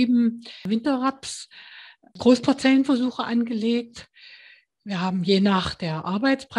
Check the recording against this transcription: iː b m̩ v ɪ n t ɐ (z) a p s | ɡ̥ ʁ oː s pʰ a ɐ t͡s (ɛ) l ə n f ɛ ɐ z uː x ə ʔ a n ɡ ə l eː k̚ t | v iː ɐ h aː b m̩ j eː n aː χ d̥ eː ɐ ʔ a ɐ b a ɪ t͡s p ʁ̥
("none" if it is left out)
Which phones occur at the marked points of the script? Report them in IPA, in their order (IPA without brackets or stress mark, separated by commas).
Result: ʁ, ɛ